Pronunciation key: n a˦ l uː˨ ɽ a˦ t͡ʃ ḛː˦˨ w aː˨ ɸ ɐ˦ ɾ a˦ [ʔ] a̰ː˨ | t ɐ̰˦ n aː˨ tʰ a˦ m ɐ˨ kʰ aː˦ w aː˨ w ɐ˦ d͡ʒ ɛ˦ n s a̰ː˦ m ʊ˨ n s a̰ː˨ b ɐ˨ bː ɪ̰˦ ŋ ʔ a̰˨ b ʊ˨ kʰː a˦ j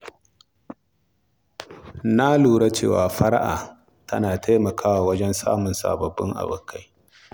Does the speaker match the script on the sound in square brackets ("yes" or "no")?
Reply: yes